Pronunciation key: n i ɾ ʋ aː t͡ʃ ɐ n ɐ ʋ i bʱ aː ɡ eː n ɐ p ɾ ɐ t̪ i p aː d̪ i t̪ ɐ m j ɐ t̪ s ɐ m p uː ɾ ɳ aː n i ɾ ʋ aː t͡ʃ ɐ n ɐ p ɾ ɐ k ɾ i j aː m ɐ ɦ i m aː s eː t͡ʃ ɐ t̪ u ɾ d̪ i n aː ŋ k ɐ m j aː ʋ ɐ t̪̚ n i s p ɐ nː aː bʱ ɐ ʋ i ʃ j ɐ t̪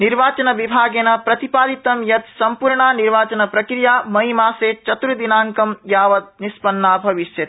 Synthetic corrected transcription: n i ɾ ʋ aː t͡ʃ ɐ n ɐ ʋ i bʱ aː ɡ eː n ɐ p ɾ ɐ t̪ i p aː d̪ i t̪ ɐ m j ɐ t̪ s ɐ m p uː ɾ ɳ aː n i ɾ ʋ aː t͡ʃ ɐ n ɐ p ɾ ɐ k ɾ i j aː m ɐ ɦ i m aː s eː t͡ʃ ɐ t̪ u ɾ d̪ i n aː ŋ k ɐ m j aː ʋ ɐ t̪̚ n i s p ɐ nː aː bʱ ɐ ʋ i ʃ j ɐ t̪